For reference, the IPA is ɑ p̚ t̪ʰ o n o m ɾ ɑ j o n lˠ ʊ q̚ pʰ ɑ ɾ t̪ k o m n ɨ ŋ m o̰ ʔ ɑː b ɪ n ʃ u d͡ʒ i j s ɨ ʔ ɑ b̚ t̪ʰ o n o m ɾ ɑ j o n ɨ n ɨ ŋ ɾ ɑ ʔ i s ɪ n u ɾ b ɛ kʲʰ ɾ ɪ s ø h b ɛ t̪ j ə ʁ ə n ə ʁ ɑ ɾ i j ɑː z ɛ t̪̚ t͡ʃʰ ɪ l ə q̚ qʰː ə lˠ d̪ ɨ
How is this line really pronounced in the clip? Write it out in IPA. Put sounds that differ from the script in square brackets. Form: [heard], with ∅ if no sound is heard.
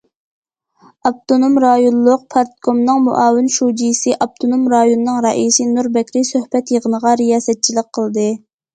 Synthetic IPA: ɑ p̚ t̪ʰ o n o m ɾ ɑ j o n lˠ ʊ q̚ pʰ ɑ ɾ t̪ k o m n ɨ ŋ m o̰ ʔ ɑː [w] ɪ n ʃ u d͡ʒ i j s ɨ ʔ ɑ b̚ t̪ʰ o n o m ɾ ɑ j o n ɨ n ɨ ŋ ɾ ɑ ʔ i s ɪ n u ɾ b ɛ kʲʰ ɾ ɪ s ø h b ɛ t̪ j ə ʁ ə n ə ʁ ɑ ɾ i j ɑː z ɛ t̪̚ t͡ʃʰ [i] l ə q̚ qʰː ə lˠ d̪ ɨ